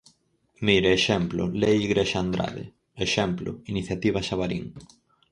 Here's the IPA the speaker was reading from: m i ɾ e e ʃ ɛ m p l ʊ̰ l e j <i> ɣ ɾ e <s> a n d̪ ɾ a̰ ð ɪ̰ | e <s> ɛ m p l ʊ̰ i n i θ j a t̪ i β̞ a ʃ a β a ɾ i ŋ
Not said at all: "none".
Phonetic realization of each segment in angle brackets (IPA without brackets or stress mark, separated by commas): i, ʃ, ʃ